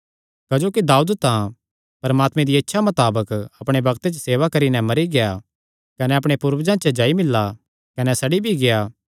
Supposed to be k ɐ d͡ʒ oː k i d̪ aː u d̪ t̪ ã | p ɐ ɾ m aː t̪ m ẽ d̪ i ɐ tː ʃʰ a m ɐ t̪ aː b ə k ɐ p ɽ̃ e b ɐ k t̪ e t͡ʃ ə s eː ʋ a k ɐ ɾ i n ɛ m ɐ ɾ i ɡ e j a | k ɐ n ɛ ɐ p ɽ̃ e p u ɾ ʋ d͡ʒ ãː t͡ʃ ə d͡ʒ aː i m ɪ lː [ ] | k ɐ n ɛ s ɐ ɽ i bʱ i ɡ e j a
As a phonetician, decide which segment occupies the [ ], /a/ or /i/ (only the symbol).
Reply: a